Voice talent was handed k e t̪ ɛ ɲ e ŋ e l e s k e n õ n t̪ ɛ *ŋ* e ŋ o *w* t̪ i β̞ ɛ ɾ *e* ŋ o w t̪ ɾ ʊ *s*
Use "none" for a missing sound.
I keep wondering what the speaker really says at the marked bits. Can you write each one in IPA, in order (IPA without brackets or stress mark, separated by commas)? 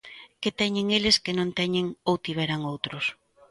ɲ, w, a, s